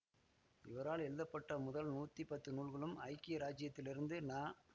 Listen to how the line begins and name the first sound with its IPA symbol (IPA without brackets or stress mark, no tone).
ɪ